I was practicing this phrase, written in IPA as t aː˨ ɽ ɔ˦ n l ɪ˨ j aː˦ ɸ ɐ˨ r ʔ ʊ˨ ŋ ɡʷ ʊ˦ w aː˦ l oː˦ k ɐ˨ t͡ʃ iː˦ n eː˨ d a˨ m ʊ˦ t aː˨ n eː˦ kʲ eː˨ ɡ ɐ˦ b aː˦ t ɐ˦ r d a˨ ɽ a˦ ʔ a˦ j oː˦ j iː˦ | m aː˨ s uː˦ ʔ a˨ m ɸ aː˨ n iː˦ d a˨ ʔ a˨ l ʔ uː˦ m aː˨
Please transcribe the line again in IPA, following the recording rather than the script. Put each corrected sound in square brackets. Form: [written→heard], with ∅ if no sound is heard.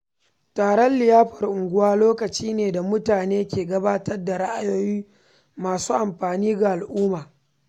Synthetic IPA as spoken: t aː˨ ɽ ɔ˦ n l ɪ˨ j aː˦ ɸ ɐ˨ r ʔ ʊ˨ ŋ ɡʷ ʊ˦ w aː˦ l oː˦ k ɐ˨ t͡ʃ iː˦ n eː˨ d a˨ m ʊ˦ t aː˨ n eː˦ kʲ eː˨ ɡ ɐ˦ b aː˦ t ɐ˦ r d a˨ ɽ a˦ ʔ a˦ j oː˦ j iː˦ | m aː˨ s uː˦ ʔ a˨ m ɸ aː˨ n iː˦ [d→ɡ] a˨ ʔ a˨ l ʔ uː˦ m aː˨